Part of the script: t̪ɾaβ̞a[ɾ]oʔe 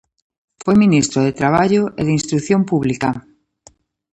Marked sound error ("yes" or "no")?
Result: yes